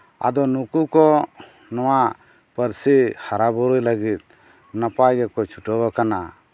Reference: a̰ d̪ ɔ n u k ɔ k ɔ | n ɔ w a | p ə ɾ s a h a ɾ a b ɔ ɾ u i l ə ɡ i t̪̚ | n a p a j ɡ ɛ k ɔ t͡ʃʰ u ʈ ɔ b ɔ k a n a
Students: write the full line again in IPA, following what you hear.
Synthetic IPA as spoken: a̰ d̪ ɔ n u k u k ɔ | n ɔ w a | p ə ɾ s i h a ɾ a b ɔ ɾ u j l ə ɡ i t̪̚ | n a p a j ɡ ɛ k ɔ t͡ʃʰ u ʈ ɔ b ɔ k a n a